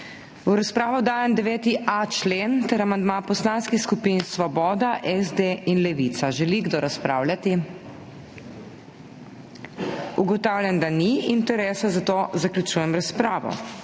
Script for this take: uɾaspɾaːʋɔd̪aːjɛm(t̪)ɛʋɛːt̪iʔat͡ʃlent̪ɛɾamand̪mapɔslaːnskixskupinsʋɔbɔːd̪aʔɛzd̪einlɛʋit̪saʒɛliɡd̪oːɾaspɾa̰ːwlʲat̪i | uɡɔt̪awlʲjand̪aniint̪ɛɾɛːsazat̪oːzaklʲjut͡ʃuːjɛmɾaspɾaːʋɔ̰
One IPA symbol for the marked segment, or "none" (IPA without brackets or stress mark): d̪